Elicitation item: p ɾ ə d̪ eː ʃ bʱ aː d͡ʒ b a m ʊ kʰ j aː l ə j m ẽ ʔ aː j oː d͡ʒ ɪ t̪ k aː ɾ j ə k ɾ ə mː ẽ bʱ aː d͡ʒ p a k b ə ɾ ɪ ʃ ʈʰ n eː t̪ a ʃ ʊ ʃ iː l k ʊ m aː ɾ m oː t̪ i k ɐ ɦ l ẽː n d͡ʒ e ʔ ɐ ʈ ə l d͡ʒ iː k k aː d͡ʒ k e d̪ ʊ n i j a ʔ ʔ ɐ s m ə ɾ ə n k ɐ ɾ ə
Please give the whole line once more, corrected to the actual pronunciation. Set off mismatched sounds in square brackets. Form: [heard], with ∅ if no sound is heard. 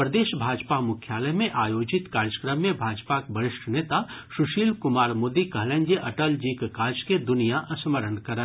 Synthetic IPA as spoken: p ɾ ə d̪ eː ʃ bʱ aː d͡ʒ [p] a m ʊ kʰ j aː l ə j m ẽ ʔ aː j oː d͡ʒ ɪ t̪ k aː ɾ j ə k ɾ ə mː ẽ bʱ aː d͡ʒ p a k b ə ɾ ɪ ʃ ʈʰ n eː t̪ a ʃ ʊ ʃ iː l k ʊ m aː ɾ m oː [d̪] i k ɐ ɦ l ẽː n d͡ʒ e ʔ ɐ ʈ ə l d͡ʒ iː k k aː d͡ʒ k e d̪ ʊ n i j a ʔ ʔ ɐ s m ə ɾ ə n k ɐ ɾ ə

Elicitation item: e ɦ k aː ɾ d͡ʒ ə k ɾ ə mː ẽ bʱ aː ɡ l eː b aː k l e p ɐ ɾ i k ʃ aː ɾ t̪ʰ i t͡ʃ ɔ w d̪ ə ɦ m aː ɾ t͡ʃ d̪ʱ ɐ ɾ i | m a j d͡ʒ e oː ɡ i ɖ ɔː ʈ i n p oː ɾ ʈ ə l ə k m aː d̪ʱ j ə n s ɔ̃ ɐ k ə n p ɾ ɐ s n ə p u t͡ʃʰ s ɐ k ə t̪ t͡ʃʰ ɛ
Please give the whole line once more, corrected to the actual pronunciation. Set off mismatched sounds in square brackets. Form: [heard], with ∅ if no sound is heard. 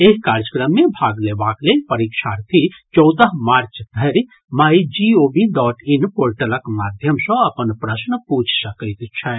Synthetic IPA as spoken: e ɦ k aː ɾ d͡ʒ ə k ɾ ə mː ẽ bʱ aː ɡ l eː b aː k l e p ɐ ɾ i k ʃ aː ɾ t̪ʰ i t͡ʃ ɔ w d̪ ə ɦ m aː ɾ t͡ʃ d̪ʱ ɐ ɾ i | m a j d͡ʒ [i] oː [b] i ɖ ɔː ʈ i n p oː ɾ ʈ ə l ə k m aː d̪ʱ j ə [m] s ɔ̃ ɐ [p] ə n p ɾ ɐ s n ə p u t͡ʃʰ s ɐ k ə t̪ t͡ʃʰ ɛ

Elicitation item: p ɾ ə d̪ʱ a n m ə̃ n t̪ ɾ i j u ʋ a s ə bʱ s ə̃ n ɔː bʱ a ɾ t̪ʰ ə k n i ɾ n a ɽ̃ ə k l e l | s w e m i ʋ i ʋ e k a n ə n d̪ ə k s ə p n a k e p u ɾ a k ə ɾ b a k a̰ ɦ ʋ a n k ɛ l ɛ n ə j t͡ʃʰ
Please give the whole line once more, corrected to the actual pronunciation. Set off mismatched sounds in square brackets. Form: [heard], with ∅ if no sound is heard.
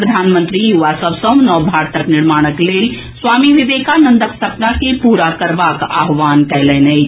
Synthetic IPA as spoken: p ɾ ə d̪ʱ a n m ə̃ n t̪ ɾ i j u ʋ a s ə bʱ s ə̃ n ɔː bʱ a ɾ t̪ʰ ə k n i ɾ [m] a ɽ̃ ə k l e l | s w [a] m i ʋ i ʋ e k a n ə n d̪ ə k s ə p n a k e p u ɾ a k ə ɾ b a k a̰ ɦ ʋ a n k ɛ l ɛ n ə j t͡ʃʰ

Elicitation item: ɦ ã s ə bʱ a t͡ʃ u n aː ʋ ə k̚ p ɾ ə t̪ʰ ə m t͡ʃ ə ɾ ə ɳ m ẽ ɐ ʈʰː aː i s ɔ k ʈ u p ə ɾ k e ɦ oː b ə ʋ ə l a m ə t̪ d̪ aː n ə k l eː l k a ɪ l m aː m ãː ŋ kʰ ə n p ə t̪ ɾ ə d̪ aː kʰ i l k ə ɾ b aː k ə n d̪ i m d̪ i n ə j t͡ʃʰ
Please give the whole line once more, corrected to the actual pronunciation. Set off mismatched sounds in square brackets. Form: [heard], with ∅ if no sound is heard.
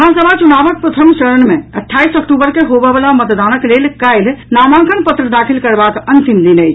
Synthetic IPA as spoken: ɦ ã s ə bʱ a t͡ʃ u n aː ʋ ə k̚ p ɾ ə t̪ʰ ə m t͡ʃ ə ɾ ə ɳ m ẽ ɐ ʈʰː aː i s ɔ k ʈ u [b] ə ɾ k e ɦ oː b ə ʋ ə l a m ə t̪ d̪ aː n ə k l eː l k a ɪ l [n] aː m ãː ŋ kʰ ə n p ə t̪ ɾ ə d̪ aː kʰ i l k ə ɾ b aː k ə n [t̪] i m d̪ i n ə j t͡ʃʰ

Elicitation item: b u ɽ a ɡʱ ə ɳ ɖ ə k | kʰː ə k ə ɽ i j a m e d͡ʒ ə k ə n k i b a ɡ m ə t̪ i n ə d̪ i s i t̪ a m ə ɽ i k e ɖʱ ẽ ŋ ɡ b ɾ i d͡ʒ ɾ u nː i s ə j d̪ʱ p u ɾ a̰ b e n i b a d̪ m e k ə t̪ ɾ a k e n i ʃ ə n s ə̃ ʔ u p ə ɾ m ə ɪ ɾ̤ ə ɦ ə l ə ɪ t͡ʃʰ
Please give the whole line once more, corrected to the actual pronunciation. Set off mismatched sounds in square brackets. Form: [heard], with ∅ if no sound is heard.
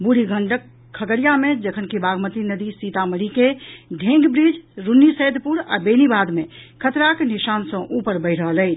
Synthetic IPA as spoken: b u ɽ [i] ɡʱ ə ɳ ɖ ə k | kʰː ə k ə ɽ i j a m e d͡ʒ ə [kʰ] ə n k i b a ɡ m ə t̪ i n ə d̪ i s i t̪ a m ə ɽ i k e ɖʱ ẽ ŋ ɡ b ɾ i d͡ʒ ɾ u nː i s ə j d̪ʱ p u ɾ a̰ b e n i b a d̪ m e [kʰ] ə t̪ ɾ a k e n i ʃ [a] n s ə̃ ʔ u p ə ɾ [b] ə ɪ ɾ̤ ə ɦ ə l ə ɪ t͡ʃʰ

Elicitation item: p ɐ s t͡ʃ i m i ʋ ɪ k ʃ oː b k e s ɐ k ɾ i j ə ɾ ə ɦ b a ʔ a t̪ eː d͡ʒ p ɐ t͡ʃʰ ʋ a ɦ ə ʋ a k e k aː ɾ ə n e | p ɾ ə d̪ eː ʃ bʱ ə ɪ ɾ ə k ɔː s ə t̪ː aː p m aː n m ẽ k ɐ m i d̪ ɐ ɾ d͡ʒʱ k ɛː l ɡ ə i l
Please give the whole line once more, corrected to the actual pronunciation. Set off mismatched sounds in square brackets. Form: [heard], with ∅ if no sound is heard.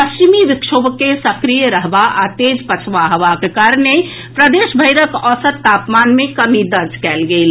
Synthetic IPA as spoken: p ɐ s t͡ʃ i m i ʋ ɪ k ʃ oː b k e s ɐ k ɾ i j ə ɾ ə ɦ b a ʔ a t̪ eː d͡ʒ p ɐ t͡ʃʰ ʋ a ɦ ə ʋ a k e k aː ɾ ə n e | p ɾ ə d̪ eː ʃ bʱ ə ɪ ɾ ə k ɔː s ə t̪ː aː p m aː n m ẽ k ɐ m i d̪ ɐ ɾ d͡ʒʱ k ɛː l ɡ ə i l

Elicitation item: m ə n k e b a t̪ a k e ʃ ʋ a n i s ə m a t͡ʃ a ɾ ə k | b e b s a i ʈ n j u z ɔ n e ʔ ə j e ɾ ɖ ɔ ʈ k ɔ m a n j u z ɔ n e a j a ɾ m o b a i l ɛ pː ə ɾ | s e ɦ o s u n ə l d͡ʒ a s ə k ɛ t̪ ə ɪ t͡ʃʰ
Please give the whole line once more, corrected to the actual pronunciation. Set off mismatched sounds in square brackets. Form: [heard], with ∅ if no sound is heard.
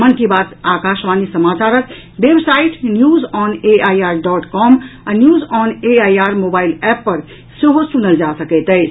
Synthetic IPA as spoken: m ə n k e b a t̪ a k [a] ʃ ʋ a n i s ə m a t͡ʃ a ɾ ə k | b e b s a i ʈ n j u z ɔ n e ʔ [a] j [a] ɾ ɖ ɔ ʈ k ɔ m a n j u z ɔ n e a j a ɾ m o b a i l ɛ pː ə ɾ | s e ɦ o s u n ə l d͡ʒ a s ə k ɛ t̪ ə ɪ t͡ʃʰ

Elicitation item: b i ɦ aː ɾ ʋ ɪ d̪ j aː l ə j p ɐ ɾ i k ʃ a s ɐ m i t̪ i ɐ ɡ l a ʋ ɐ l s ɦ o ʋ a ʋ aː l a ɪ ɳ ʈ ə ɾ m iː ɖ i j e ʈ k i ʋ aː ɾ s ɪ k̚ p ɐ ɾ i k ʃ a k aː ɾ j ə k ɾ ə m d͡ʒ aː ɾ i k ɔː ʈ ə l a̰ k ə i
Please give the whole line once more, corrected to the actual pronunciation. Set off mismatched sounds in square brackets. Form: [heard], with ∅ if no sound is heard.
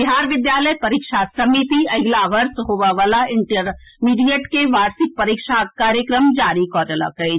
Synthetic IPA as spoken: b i ɦ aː ɾ ʋ ɪ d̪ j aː l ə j p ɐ ɾ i k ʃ a s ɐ m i t̪ i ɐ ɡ l a ʋ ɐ [ɾ] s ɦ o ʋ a ʋ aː l a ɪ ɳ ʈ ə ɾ m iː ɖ i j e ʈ k [e] ʋ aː ɾ s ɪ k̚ p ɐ ɾ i k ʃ a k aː ɾ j ə k ɾ ə m d͡ʒ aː ɾ i k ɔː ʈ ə l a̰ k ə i

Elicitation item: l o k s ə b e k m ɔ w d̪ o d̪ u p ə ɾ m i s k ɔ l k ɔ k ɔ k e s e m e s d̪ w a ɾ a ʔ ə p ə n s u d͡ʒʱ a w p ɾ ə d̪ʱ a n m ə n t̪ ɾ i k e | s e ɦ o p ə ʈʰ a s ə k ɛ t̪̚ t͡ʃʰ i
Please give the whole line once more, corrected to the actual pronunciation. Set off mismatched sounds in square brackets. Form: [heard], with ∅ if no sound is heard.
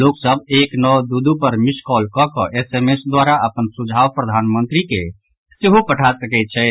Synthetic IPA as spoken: l o k s ə b e k [n] ɔ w d̪ [u] d̪ u p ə ɾ m i s k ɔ l k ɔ k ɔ [ʔ] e s e m e s d̪ w a ɾ a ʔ ə p ə n s u d͡ʒʱ a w p ɾ ə d̪ʱ a n m ə n t̪ ɾ i k e | s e ɦ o p ə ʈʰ a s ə k ɛ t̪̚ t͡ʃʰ [ɛ]

